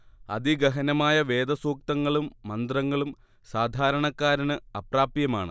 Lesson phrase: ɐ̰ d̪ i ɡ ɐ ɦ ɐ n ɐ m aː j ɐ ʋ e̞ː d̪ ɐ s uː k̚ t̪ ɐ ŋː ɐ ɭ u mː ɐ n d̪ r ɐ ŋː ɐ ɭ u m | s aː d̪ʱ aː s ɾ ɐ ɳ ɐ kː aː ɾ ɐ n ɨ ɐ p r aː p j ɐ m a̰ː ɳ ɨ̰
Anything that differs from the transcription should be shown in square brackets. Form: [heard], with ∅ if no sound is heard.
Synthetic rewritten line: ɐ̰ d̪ i ɡ ɐ ɦ ɐ n ɐ m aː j ɐ ʋ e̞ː d̪ ɐ s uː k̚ t̪ ɐ ŋː ɐ ɭ u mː ɐ n d̪ r ɐ ŋː ɐ ɭ u m | s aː d̪ʱ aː [∅] ɾ ɐ ɳ ɐ kː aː ɾ ɐ n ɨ ɐ p r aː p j ɐ m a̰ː ɳ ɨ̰